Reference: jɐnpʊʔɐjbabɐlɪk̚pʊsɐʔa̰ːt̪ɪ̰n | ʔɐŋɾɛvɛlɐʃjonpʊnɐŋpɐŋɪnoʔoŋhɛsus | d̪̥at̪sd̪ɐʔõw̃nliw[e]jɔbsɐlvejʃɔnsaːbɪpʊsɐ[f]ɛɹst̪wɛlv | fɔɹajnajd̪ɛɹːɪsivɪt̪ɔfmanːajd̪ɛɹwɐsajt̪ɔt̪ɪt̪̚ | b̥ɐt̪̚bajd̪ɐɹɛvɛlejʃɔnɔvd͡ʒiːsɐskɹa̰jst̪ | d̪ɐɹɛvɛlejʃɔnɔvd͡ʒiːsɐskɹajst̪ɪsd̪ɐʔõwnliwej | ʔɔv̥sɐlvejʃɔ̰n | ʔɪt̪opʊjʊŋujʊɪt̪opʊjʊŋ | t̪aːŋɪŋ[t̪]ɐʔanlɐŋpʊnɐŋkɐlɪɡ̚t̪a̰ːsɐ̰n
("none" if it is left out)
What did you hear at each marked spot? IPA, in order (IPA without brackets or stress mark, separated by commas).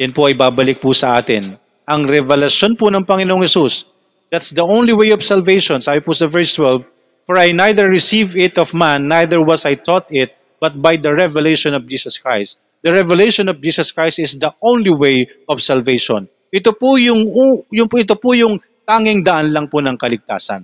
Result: e, v, d̪